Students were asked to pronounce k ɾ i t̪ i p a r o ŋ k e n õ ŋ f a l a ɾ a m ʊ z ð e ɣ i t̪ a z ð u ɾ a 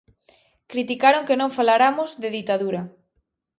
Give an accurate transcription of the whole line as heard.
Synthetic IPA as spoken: k ɾ i t̪ i k a ɾ o ŋ k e n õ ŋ f a l a ɾ a m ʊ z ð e ð i t̪ a ð u ɾ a